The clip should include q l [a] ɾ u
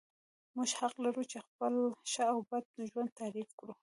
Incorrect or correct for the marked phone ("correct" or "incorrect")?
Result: correct